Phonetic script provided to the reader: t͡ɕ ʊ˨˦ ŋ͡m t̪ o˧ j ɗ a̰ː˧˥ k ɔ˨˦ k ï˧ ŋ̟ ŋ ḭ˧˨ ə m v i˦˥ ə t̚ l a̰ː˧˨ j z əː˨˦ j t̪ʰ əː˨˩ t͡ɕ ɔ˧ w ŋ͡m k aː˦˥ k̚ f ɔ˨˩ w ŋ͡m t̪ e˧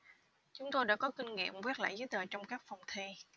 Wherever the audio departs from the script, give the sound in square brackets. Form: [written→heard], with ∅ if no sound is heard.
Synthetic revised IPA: t͡ɕ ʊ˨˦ ŋ͡m t̪ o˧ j ɗ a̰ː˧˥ k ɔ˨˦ k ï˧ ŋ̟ ŋ ḭ˧˨ ə m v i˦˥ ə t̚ l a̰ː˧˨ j z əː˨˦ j [t̪ʰ→t̪] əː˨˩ t͡ɕ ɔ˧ w ŋ͡m k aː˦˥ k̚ f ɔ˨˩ w ŋ͡m [t̪→t̪ʰ] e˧